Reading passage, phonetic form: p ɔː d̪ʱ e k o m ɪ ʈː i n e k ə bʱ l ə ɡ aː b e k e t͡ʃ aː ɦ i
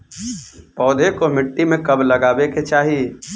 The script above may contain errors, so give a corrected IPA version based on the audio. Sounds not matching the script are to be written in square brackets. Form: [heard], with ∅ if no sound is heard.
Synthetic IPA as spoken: p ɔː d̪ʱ e k o m ɪ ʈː i [m] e k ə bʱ l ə ɡ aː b e k e t͡ʃ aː ɦ i